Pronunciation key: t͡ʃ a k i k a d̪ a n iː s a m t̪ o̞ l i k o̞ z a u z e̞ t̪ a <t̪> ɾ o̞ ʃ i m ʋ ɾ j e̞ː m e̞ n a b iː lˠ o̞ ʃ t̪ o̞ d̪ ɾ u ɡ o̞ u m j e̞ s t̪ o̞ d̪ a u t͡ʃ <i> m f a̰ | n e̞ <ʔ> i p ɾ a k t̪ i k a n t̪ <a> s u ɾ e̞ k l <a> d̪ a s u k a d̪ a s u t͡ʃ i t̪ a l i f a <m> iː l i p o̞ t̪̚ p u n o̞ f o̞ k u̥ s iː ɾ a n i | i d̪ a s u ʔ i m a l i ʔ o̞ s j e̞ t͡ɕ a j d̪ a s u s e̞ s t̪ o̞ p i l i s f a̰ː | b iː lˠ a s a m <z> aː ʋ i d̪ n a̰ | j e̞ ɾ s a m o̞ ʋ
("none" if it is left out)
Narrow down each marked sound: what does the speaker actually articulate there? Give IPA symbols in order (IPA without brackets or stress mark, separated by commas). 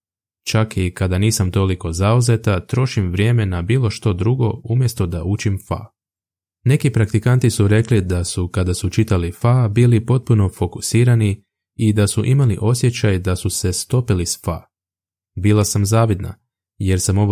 t̪, i, k, i, i, b, z